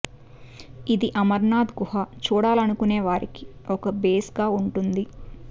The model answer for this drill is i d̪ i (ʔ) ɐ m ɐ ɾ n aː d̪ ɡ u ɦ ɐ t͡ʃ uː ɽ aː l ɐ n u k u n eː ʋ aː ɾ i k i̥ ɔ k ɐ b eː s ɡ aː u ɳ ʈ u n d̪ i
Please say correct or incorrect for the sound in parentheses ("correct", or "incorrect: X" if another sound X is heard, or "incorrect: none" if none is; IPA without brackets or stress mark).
correct